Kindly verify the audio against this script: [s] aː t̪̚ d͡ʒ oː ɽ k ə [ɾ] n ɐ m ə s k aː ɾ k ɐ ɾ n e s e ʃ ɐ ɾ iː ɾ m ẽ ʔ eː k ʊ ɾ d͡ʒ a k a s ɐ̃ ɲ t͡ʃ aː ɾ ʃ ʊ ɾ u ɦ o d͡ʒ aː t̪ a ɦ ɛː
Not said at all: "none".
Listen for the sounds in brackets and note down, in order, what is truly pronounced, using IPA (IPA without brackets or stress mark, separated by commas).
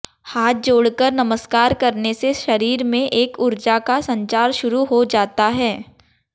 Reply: h, ɾ